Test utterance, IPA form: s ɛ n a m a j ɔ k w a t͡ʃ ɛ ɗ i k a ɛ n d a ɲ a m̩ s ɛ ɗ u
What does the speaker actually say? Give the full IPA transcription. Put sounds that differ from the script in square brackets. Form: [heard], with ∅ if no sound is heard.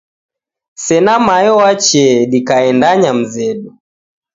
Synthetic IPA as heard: s ɛ n a m a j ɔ [∅] w a t͡ʃ ɛ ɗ i k a ɛ n d a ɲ a m̩ [z] ɛ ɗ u